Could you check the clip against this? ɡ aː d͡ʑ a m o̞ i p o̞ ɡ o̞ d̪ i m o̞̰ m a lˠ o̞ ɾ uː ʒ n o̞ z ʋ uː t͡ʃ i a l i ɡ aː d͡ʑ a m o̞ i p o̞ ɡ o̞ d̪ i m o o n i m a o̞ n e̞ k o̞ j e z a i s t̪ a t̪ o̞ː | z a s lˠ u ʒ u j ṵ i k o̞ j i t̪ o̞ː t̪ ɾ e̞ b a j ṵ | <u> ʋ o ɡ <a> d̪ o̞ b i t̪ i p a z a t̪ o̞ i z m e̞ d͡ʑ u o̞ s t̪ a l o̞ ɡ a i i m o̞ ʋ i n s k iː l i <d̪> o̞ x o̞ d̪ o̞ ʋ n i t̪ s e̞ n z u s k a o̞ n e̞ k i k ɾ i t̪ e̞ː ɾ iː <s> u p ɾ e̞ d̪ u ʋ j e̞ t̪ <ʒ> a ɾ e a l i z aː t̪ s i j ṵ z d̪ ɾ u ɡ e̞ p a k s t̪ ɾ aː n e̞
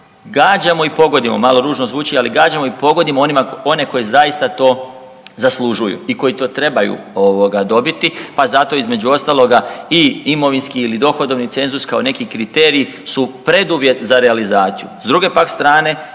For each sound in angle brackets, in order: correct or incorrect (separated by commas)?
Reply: incorrect, correct, correct, correct, incorrect